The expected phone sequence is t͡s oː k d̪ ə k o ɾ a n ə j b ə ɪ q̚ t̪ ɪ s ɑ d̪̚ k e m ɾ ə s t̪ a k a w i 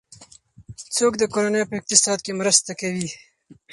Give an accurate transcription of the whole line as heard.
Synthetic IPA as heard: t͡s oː k d̪ ə k o ɾ a n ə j p ə ɪ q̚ t̪ ɪ s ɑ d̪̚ k e m ɾ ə s t̪ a k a w i